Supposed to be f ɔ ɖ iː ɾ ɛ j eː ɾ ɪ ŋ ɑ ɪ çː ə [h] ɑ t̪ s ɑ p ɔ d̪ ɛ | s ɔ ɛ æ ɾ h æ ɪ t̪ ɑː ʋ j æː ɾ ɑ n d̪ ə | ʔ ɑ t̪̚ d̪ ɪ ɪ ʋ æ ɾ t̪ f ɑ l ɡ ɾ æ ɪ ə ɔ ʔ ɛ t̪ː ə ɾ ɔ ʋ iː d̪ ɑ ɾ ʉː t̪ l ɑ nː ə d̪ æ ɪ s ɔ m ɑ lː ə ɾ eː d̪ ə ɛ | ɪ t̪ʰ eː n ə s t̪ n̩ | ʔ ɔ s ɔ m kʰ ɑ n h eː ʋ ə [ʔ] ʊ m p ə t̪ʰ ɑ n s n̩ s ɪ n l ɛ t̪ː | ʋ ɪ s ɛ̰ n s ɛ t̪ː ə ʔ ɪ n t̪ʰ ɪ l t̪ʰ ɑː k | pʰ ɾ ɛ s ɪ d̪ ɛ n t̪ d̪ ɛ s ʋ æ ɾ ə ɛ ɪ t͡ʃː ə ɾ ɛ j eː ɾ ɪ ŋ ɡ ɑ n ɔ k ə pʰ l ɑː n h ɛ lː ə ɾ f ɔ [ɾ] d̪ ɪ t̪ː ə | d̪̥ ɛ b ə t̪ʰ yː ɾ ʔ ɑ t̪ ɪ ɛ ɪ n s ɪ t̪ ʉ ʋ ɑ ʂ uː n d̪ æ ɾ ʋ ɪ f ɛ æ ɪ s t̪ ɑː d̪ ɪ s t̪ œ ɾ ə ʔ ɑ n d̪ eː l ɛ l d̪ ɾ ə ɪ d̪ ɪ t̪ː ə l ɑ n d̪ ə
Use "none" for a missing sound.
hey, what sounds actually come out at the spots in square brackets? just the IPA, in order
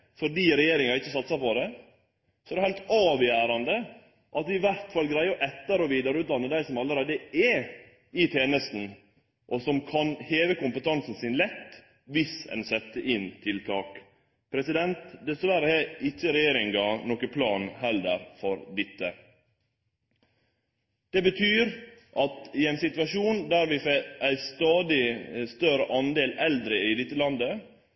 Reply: s, k, ɾ

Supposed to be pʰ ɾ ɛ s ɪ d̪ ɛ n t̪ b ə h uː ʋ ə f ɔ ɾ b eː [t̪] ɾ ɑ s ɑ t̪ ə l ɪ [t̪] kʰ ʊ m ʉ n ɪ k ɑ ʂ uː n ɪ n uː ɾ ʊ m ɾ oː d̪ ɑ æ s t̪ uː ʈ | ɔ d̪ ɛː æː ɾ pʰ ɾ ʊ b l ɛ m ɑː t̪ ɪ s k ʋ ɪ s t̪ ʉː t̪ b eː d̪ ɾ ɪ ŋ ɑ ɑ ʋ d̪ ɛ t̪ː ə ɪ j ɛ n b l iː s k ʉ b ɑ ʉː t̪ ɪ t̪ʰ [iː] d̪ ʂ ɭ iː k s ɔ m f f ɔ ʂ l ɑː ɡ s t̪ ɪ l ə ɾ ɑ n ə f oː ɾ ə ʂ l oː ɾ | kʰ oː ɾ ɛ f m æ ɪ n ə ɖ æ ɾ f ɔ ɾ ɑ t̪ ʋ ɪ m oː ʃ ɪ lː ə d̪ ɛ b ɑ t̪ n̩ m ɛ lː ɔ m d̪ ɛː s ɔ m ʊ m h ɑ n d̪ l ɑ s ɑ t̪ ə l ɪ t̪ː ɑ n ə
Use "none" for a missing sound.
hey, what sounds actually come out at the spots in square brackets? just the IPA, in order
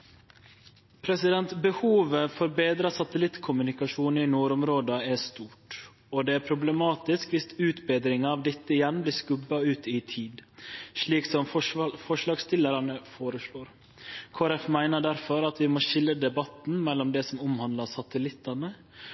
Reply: d̪, t̪, iː

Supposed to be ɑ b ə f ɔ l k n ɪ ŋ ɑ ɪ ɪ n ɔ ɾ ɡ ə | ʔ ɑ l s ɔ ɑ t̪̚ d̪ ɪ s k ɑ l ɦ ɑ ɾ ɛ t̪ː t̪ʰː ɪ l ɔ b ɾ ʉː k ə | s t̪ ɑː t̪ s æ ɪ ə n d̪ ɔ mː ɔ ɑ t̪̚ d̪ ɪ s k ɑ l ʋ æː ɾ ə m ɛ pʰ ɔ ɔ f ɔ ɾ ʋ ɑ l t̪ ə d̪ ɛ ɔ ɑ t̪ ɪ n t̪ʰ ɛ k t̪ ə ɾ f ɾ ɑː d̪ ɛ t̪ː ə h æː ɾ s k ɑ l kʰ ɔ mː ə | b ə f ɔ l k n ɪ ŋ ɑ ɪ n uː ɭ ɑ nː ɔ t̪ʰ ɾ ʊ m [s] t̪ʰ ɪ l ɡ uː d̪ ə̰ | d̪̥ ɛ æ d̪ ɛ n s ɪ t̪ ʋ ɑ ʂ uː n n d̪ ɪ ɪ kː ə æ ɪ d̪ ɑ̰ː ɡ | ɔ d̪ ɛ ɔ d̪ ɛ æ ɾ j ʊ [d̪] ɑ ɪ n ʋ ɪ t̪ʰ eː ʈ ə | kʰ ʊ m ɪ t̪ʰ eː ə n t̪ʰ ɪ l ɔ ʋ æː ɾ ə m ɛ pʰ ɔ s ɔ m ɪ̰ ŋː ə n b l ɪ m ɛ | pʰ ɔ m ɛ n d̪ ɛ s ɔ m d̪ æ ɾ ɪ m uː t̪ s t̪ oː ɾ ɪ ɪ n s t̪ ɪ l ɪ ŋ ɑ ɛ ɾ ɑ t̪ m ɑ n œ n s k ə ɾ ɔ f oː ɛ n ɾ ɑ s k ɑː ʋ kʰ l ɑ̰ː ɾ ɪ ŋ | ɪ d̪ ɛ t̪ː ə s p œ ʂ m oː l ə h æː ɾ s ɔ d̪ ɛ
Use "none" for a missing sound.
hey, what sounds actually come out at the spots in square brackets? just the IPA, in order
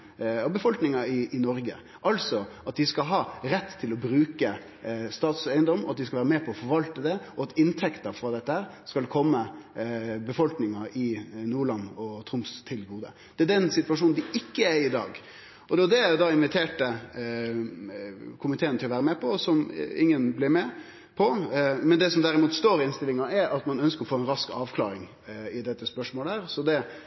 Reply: s, d̪

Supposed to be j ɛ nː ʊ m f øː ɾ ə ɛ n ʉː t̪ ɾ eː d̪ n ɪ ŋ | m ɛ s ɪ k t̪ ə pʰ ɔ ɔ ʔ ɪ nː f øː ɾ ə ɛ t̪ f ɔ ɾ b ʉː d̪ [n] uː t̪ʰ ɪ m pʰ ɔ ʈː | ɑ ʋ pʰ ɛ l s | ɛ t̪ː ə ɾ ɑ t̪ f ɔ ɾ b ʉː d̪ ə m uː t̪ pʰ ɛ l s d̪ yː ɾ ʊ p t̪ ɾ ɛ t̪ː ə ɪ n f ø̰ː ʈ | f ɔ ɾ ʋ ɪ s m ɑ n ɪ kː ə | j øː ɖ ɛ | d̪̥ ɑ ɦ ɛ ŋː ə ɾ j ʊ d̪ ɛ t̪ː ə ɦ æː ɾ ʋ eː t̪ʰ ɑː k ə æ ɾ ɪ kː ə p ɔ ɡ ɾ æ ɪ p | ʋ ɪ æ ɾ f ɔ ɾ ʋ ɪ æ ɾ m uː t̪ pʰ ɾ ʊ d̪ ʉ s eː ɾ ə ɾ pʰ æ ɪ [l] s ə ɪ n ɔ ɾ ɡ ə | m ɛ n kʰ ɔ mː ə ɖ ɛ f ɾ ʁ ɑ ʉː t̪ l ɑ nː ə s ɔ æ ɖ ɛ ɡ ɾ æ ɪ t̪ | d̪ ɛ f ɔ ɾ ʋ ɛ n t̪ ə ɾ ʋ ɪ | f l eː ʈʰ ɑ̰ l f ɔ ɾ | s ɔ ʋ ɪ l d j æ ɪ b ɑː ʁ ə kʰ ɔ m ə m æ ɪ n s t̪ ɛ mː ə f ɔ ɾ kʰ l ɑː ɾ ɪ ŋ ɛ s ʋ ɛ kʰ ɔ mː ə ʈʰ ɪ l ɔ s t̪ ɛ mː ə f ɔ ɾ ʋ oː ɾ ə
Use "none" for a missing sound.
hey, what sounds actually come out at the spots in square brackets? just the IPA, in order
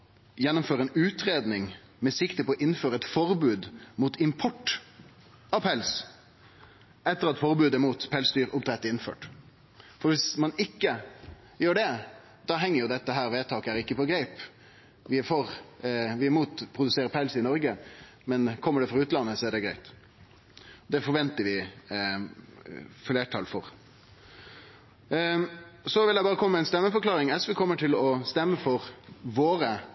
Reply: m, l

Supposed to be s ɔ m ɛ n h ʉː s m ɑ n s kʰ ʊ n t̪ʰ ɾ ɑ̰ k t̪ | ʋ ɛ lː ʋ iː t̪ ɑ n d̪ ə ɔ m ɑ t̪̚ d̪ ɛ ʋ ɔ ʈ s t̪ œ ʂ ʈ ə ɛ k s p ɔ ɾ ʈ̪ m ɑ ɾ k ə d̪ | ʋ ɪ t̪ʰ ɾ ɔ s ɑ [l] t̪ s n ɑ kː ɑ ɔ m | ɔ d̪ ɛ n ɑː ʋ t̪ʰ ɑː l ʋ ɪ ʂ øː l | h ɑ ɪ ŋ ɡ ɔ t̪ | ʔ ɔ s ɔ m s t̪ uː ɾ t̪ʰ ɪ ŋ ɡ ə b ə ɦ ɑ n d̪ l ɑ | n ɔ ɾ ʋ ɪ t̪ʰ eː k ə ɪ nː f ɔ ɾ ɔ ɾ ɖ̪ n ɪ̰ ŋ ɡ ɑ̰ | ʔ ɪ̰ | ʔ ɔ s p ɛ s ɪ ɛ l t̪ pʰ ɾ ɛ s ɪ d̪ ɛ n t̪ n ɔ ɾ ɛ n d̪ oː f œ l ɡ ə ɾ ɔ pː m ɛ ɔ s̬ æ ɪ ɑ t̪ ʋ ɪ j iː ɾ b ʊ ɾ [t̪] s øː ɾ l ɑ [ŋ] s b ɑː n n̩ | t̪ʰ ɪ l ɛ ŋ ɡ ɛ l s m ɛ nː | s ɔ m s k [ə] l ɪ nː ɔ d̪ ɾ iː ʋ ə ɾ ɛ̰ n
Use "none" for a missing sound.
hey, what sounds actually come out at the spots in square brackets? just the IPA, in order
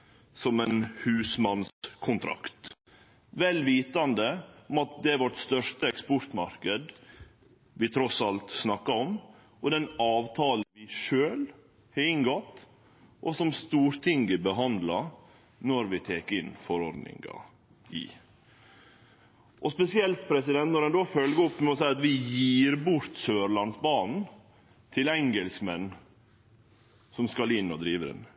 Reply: l, t̪, n, ɑ

